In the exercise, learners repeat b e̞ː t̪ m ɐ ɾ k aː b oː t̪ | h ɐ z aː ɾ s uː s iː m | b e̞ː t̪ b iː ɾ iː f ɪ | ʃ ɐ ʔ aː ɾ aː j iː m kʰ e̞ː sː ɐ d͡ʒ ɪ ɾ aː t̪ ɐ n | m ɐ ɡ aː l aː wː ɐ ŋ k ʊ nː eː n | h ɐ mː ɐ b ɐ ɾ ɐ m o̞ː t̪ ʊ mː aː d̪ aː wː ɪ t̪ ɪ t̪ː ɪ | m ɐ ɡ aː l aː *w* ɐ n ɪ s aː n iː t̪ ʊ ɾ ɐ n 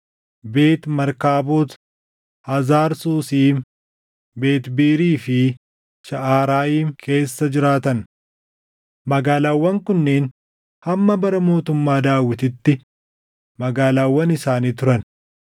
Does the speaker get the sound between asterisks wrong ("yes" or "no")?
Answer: yes